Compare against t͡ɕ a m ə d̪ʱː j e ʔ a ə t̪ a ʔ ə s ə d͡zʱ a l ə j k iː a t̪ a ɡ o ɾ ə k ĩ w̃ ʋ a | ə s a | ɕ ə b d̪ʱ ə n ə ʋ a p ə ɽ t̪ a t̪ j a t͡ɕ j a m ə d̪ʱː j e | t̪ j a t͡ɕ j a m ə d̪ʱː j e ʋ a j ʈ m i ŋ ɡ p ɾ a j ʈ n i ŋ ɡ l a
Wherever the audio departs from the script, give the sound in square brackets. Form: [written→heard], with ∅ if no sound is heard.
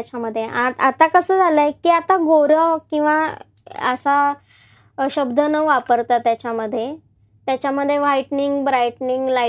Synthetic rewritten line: t͡ɕ a m ə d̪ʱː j e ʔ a [ə→a] t̪ a [ʔ→k] ə s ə d͡zʱ a l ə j k iː a t̪ a ɡ o ɾ ə k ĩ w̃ ʋ a | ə s a | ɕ ə b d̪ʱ ə n ə ʋ a p ə [ɽ→ɾ] t̪ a t̪ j a t͡ɕ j a m ə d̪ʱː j e | t̪ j a t͡ɕ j a m ə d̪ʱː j e ʋ a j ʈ [m→n] i ŋ ɡ [p→b] ɾ a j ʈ n i ŋ ɡ l a